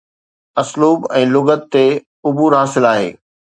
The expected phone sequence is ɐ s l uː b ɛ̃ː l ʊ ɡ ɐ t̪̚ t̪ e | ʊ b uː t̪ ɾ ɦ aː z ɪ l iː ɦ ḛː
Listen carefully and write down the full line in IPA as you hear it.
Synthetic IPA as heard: ɐ s l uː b ɛ̃ː l ʊ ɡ ə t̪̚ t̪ e | ʊ b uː ɾ ɦ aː s ɪ l aː ɦ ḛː